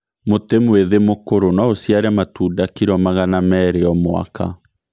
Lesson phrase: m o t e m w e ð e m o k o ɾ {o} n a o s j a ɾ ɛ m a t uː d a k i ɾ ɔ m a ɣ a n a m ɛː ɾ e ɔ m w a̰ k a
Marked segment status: correct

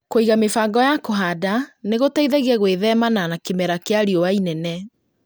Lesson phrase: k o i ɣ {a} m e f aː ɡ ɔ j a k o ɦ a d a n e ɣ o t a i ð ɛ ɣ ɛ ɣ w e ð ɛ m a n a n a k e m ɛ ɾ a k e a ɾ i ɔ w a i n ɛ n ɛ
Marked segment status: correct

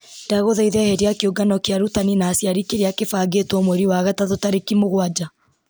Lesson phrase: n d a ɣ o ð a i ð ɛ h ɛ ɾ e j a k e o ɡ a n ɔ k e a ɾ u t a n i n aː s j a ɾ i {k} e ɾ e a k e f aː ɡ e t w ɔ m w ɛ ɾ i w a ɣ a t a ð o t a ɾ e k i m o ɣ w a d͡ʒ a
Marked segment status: correct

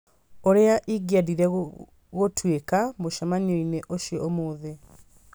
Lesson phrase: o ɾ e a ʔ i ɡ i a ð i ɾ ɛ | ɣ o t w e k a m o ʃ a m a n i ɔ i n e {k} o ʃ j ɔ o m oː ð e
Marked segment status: incorrect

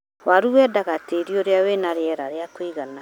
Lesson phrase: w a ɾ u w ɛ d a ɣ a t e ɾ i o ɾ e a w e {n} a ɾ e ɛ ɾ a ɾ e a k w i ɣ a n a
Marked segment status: correct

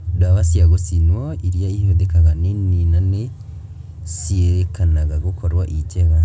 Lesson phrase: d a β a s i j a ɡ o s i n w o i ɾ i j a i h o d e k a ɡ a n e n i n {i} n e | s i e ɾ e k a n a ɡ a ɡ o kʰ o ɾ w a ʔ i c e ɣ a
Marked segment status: incorrect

